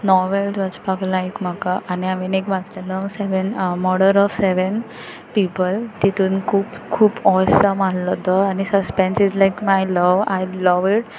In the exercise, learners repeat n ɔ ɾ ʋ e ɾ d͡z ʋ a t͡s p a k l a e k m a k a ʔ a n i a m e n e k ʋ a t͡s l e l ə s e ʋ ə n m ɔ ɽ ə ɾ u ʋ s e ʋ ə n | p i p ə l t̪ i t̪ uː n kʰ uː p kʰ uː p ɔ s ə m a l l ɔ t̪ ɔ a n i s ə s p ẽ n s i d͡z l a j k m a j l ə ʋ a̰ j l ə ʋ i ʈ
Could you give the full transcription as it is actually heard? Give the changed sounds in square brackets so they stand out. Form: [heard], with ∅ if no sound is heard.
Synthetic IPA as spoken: n ɔ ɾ ʋ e [l] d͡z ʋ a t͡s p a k l a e k m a k a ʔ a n i a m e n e k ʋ a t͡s l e l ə s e ʋ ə n m ɔ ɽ ə ɾ [ɔ] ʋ s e ʋ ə n | p i p ə l t̪ i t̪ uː n kʰ uː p kʰ uː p ɔ s ə m a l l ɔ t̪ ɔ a n i s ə s p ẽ n s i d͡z l a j k m a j l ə ʋ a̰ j l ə ʋ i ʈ